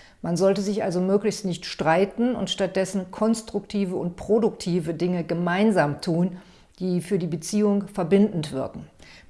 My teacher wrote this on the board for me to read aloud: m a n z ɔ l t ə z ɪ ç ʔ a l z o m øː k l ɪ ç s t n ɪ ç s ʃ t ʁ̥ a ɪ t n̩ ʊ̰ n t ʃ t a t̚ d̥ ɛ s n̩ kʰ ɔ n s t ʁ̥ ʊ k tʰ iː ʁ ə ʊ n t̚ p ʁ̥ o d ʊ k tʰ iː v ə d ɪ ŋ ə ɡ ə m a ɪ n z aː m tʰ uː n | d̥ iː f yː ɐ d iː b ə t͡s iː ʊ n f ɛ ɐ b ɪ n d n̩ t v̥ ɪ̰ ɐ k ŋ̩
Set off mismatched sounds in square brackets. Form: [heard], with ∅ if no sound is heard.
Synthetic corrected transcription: m a n z ɔ l t ə z ɪ ç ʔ a l z o m øː k l ɪ ç s t n ɪ ç [t] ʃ t ʁ̥ a ɪ t n̩ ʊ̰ n t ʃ t a t̚ d̥ ɛ s n̩ kʰ ɔ n s t ʁ̥ ʊ k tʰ iː [v] ə ʊ n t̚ p ʁ̥ o d ʊ k tʰ iː v ə d ɪ ŋ ə ɡ ə m a ɪ n z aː m tʰ uː n | d̥ iː f yː ɐ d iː b ə t͡s iː ʊ [ŋ] f ɛ ɐ b ɪ n d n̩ t v̥ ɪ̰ ɐ k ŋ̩

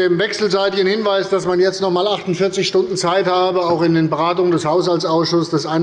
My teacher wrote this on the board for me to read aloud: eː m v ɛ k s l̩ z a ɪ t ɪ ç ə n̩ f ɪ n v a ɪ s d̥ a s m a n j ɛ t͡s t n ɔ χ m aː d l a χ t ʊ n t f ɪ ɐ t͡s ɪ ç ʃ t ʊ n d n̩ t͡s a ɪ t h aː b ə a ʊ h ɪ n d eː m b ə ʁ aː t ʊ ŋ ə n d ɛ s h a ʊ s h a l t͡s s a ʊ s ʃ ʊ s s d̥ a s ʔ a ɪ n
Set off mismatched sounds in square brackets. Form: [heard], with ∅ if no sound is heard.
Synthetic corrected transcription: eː m v ɛ k s l̩ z a ɪ t ɪ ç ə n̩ [h] ɪ n v a ɪ s d̥ a s m a n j ɛ t͡s t n ɔ χ m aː [∅] l a χ t ʊ n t f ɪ ɐ t͡s ɪ ç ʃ t ʊ n d n̩ t͡s a ɪ t h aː b ə a ʊ [x] ɪ n d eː [n] b ə ʁ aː t ʊ ŋ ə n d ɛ s h a ʊ s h a l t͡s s a ʊ s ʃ ʊ s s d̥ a s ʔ a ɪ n

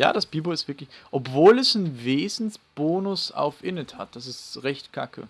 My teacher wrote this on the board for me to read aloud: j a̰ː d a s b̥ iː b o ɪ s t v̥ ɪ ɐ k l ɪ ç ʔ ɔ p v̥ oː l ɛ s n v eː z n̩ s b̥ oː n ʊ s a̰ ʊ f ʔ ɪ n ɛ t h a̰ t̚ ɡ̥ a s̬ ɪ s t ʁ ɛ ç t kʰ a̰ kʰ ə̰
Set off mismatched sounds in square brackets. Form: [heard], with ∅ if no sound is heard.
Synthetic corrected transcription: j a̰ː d a s b̥ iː b o ɪ s t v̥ ɪ ɐ k l ɪ ç ʔ ɔ p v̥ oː l ɛ s n v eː z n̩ s b̥ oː n ʊ s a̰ ʊ f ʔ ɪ n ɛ t h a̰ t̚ [d̥] a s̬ ɪ s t ʁ ɛ ç t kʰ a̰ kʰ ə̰

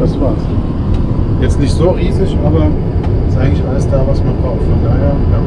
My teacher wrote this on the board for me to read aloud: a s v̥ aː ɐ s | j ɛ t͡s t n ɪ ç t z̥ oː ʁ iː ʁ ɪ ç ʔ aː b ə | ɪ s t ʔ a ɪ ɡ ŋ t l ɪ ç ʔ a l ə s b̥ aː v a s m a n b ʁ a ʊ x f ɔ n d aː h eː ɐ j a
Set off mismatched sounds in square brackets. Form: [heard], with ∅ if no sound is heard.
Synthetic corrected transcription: a s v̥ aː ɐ s | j ɛ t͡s t n ɪ ç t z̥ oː ʁ iː [z] ɪ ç ʔ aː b [ɐ] | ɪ s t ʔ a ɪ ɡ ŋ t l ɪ ç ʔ a l ə s [d̥] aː v a s m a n b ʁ a ʊ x f ɔ n d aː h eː ɐ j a

